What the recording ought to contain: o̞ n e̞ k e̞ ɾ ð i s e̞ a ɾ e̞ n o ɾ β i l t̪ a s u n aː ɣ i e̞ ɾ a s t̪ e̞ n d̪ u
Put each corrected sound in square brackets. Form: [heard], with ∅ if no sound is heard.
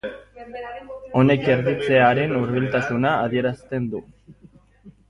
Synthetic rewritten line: o̞ n e̞ k e̞ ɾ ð i [t͡s] e̞ a ɾ e̞ n [u] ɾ β i l t̪ a s u n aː [ð] i e̞ ɾ a s t̪ e̞ n d̪ u